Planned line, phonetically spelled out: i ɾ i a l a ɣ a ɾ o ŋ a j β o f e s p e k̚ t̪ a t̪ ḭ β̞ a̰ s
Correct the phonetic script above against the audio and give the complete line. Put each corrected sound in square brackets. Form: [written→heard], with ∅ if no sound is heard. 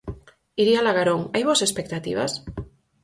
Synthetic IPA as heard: i ɾ i a l a ɣ a ɾ o ŋ a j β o [f→s] e s p e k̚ t̪ a t̪ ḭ β̞ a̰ s